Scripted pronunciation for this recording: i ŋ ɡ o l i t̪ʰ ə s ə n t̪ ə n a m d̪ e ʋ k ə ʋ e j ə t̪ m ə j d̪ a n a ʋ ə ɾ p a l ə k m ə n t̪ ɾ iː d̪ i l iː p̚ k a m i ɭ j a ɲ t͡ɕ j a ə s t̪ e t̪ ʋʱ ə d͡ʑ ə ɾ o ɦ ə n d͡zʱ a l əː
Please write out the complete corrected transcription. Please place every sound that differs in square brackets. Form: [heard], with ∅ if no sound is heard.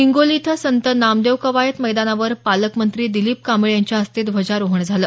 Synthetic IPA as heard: i ŋ ɡ o l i t̪ʰ ə s ə n t̪ ə n a m d̪ e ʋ k ə ʋ [a] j ə t̪ m ə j d̪ a n a ʋ ə ɾ p a l ə k m ə n t̪ ɾ iː d̪ i l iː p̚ k a m i ɭ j a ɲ t͡ɕ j a ə s t̪ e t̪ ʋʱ ə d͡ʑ [a] ɾ o ɦ ə [ɳ] d͡zʱ a l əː